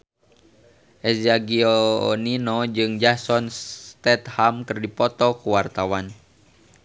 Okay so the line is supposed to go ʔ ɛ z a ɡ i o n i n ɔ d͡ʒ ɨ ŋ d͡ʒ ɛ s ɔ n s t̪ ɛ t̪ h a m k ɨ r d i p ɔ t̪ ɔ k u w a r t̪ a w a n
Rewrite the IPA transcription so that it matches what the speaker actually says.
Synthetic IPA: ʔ ɛ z a ɡ i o n i n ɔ d͡ʒ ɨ ŋ d͡ʒ a s ɔ n s t̪ ɛ t̪ h a m k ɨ r d i p ɔ t̪ ɔ k u w a r t̪ a w a n